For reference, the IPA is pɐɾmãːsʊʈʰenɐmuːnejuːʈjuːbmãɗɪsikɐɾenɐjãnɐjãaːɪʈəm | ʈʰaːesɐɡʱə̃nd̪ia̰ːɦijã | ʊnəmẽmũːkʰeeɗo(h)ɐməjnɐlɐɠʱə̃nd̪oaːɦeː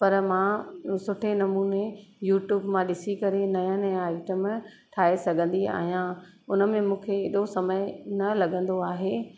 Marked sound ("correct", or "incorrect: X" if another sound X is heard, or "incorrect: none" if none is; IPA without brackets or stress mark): incorrect: s